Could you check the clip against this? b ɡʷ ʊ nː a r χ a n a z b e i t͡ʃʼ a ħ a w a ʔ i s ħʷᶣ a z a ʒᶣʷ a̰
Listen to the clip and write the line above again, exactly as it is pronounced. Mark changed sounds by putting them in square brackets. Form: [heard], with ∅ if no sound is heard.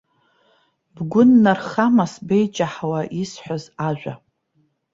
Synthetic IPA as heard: b ɡʷ ʊ nː a r χ a [m] a [s] b e [j] t͡ʃʼ a ħ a w a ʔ i s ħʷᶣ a z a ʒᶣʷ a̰